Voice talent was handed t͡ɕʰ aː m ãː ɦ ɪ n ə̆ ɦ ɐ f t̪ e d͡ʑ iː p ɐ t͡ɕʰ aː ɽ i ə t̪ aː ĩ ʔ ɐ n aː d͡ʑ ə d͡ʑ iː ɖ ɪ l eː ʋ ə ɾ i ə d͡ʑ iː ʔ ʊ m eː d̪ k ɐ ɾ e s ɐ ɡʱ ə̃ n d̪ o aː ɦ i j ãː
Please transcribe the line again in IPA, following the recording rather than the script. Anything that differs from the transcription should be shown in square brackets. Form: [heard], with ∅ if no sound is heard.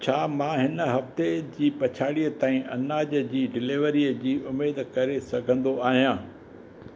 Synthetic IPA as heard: t͡ɕʰ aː m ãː ɦ ɪ n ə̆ ɦ ɐ f t̪ e d͡ʑ iː p ɐ t͡ɕʰ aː ɽ i ə t̪ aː ĩ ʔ ɐ n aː d͡ʑ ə d͡ʑ iː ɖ ɪ l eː ʋ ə ɾ i ə d͡ʑ iː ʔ ʊ m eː d̪ k ɐ ɾ e s ɐ ɡʱ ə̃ n d̪ o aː ɦ i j ãː